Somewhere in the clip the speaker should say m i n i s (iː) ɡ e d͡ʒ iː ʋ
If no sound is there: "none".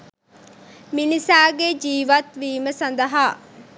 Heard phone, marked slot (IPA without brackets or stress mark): aː